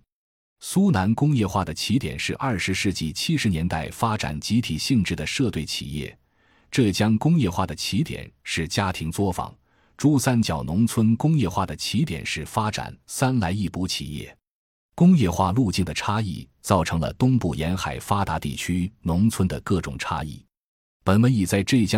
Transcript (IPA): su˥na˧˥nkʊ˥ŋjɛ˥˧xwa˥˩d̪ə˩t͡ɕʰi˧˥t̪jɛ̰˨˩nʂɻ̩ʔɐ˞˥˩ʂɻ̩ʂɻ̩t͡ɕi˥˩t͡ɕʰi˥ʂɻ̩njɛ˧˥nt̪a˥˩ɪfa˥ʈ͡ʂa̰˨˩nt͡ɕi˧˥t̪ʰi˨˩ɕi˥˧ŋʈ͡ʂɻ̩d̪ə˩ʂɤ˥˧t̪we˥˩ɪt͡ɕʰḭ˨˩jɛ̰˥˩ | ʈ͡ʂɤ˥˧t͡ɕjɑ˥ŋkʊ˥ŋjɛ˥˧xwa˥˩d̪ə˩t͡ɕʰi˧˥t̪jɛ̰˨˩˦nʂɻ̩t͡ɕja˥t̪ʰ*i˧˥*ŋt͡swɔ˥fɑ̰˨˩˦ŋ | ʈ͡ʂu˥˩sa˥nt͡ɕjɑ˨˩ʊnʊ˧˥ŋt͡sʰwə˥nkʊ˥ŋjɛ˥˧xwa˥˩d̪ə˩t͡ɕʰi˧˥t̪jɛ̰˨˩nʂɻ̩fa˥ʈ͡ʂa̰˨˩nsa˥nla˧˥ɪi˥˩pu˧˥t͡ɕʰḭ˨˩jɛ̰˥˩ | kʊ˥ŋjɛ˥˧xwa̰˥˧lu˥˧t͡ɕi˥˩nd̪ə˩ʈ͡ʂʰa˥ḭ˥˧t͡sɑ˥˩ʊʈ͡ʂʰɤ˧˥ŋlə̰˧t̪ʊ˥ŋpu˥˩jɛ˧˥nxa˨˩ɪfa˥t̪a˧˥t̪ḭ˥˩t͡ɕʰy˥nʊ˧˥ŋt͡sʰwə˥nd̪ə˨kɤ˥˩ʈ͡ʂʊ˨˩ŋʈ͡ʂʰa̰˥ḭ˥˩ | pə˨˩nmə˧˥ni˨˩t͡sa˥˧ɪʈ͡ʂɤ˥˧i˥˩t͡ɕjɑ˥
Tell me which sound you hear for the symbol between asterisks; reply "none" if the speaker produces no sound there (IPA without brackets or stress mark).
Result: i˧˥